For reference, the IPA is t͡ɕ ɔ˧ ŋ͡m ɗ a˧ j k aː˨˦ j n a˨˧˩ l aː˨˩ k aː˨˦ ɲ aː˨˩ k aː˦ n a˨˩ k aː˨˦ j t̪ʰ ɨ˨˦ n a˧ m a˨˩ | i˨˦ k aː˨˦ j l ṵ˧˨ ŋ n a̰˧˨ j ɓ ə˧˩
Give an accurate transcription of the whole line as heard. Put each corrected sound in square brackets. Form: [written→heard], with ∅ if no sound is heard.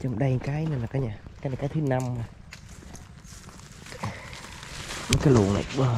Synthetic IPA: t͡ɕ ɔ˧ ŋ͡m ɗ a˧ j k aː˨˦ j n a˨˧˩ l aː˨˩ k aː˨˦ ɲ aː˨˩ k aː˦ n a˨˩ k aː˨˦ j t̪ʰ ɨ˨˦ n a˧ m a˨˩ | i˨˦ k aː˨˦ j l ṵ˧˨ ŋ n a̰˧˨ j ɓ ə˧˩